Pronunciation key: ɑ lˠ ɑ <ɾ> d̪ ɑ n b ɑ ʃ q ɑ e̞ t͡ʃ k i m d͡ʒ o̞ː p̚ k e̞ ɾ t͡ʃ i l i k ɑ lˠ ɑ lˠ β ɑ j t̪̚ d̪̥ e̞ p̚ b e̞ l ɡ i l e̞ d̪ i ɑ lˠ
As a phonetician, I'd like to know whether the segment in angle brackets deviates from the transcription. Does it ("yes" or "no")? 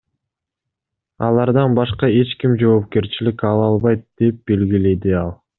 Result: no